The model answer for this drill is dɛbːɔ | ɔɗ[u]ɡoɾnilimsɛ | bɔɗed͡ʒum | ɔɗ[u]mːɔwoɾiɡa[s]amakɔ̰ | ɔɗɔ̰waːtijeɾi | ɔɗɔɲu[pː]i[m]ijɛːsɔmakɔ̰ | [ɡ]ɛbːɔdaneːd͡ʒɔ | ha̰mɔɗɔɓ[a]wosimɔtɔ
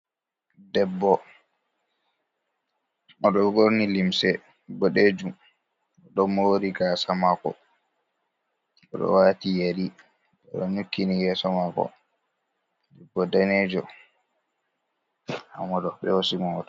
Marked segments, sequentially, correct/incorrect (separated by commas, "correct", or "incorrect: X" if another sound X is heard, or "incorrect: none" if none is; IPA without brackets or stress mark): incorrect: ɔ, incorrect: ɔ, correct, incorrect: kː, incorrect: n, incorrect: d, incorrect: ɛ